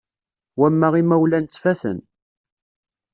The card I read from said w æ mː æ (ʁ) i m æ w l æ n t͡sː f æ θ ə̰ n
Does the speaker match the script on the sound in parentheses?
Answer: yes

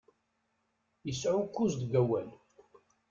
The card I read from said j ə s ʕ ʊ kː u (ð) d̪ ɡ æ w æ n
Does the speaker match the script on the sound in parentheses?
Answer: no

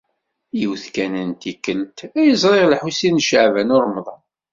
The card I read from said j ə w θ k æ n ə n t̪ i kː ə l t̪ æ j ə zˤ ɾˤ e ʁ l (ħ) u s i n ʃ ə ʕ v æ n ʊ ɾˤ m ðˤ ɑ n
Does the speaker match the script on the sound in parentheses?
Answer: yes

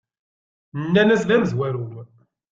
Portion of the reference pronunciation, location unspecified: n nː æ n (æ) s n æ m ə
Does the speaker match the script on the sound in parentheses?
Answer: yes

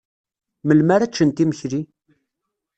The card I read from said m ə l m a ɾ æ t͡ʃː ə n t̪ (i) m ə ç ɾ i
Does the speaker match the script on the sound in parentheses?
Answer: yes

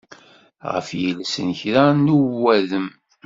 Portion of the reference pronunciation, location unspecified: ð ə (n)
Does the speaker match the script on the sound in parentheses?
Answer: no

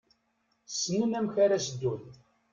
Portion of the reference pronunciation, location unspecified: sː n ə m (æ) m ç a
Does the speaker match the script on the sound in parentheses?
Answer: yes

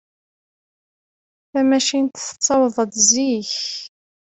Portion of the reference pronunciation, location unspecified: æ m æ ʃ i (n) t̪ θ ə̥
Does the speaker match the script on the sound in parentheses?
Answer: yes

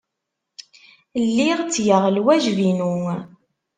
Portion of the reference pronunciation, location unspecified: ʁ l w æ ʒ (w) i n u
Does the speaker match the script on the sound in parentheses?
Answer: no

